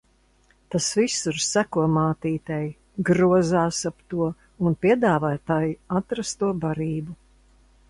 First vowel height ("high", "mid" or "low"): low